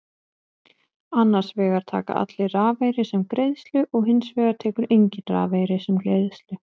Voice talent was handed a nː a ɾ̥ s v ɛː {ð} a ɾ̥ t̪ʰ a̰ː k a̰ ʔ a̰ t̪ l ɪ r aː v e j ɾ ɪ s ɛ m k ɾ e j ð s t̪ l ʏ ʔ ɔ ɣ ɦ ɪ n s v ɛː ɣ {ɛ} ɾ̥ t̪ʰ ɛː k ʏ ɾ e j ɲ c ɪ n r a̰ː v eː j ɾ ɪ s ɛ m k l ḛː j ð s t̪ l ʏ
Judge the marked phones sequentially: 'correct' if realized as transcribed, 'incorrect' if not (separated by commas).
incorrect, incorrect